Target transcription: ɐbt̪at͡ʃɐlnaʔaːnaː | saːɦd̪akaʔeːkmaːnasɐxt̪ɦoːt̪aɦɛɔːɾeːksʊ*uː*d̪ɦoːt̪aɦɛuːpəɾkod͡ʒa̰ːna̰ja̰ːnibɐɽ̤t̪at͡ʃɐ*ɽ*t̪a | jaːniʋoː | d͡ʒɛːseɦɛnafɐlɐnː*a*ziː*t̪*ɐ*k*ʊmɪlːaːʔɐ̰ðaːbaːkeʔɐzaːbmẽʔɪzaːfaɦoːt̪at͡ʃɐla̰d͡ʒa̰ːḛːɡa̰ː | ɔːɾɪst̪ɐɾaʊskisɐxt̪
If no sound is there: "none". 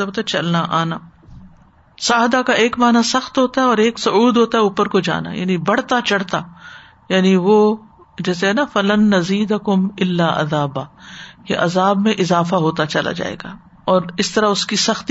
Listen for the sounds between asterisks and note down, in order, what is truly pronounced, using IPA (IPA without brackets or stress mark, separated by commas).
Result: uː, ɽ, ɐ, d̪, k